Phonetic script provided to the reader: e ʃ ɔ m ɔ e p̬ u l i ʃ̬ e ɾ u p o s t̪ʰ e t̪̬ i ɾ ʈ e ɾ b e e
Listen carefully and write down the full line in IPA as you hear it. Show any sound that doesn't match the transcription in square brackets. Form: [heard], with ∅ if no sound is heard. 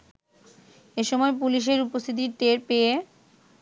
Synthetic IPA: e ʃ ɔ m ɔ e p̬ u l i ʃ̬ e ɾ u p o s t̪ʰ [i] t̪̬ i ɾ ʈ e ɾ [p] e e